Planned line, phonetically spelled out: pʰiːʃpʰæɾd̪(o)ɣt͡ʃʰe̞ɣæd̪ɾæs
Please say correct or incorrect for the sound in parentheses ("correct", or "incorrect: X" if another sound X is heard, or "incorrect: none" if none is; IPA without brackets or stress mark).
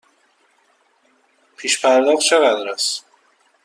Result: incorrect: ɒ